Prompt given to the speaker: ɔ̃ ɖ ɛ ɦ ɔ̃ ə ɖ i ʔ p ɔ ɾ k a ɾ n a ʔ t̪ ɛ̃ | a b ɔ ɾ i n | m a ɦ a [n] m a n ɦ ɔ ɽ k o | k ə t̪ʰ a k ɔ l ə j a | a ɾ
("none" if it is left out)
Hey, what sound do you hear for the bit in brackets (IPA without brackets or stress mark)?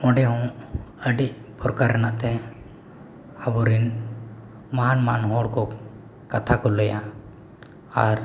n